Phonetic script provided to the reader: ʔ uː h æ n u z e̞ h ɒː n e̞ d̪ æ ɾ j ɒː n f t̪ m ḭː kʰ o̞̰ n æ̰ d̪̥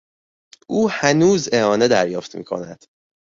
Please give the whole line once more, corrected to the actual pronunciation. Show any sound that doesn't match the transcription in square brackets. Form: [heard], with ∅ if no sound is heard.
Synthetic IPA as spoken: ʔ uː h æ n [uː] z e̞ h ɒː n e̞ d̪ æ ɾ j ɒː [∅] f t̪ m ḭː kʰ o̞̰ n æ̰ d̪̥